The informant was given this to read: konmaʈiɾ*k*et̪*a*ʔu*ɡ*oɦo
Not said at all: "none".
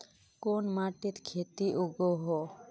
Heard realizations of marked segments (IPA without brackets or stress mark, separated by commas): kʰ, i, ɡ